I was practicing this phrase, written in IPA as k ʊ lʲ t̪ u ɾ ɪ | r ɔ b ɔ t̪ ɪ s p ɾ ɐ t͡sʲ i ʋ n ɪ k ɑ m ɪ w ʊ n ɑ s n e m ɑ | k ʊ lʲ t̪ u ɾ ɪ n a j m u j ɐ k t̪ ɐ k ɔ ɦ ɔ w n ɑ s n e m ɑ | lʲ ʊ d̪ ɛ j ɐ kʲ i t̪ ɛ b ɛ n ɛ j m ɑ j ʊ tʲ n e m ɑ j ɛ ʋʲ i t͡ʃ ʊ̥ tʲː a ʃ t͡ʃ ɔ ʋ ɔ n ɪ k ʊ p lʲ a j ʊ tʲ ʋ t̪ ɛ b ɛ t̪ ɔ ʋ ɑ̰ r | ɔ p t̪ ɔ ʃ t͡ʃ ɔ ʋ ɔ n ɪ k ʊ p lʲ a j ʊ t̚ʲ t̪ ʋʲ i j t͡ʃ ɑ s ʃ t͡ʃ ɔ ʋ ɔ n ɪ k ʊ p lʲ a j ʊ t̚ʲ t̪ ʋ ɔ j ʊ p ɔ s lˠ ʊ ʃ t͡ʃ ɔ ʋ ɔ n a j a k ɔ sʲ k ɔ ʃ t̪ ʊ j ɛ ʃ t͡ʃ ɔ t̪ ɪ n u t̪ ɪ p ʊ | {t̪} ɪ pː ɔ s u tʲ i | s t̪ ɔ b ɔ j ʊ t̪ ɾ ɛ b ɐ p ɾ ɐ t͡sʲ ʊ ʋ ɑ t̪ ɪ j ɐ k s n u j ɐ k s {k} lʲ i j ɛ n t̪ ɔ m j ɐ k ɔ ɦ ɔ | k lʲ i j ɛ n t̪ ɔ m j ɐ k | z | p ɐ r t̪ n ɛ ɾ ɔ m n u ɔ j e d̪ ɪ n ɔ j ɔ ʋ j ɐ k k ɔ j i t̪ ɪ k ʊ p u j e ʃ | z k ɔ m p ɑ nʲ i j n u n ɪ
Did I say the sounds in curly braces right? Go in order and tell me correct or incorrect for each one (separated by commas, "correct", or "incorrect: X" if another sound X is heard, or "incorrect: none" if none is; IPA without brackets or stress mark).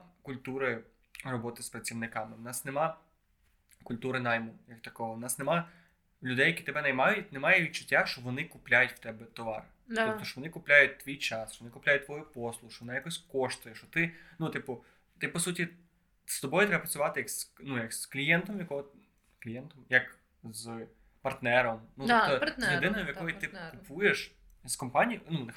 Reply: correct, correct